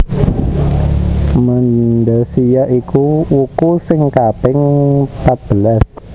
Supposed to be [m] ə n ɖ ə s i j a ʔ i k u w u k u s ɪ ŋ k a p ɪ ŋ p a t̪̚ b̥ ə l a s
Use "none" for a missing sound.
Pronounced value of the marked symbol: m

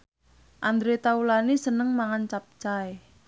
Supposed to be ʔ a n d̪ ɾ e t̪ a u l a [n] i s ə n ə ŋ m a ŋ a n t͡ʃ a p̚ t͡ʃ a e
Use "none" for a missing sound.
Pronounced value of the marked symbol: n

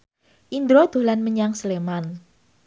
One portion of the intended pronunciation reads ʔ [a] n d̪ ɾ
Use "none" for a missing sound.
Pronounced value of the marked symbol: i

